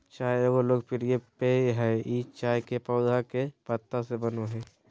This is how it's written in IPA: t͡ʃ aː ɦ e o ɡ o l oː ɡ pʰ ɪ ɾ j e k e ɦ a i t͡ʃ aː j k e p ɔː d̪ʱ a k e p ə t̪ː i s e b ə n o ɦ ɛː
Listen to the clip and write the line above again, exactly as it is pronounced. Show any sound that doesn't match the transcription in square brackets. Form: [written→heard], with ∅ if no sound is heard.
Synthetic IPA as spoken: t͡ʃ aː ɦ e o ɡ o l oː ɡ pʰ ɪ ɾ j e [k→p] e ɦ [a→ɛ] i t͡ʃ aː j k e p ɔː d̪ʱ a k e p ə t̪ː [i→a] s e b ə n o ɦ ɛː